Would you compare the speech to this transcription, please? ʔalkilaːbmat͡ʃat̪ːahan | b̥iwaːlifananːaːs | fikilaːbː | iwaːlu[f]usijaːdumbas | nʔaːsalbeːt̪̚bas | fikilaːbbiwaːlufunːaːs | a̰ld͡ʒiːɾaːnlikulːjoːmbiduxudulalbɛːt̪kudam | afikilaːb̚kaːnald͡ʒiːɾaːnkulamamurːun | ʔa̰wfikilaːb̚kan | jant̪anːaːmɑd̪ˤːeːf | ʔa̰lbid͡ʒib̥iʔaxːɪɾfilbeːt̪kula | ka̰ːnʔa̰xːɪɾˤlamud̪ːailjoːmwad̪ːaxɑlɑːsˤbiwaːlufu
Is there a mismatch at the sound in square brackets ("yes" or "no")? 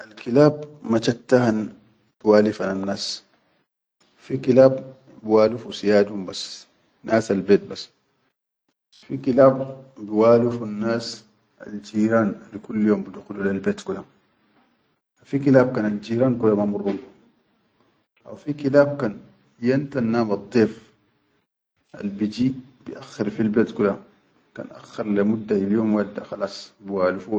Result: no